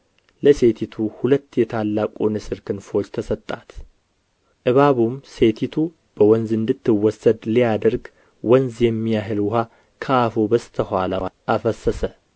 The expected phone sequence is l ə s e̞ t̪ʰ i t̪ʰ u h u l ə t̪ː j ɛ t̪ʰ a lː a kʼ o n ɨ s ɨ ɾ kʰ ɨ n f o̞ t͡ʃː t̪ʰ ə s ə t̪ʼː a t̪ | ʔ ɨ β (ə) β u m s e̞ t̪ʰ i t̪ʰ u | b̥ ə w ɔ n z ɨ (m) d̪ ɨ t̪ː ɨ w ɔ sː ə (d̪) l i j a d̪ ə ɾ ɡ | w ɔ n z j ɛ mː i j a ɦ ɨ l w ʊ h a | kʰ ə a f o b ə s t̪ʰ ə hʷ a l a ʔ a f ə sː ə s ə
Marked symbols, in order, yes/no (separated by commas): no, no, yes